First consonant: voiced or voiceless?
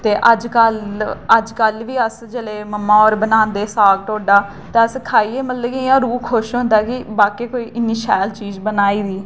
voiceless